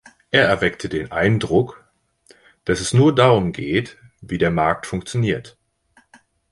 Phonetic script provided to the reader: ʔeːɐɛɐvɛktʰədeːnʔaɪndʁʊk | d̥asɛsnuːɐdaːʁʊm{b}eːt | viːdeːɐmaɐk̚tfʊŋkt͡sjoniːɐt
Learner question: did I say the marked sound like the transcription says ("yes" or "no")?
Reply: no